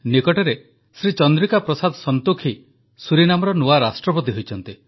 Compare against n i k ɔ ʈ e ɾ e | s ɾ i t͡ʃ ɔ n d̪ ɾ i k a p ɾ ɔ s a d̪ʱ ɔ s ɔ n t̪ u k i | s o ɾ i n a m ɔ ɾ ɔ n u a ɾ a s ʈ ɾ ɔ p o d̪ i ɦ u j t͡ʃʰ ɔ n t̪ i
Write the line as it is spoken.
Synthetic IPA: n i k ɔ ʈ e ɾ e | s ɾ i t͡ʃ ɔ n d̪ ɾ i k a p ɾ ɔ s a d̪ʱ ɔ s ɔ n t̪ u kʰ i | s u ɾ i n a m ɔ ɾ ɔ n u a ɾ a s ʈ ɾ ɔ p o t̪ i ɦ o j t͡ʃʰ ɔ n t̪ i